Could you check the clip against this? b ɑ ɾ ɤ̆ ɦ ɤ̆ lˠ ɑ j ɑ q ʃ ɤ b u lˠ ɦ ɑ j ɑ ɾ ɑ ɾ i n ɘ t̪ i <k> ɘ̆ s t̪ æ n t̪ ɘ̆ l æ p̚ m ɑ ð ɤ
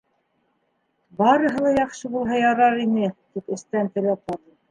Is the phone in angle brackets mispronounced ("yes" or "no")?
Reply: yes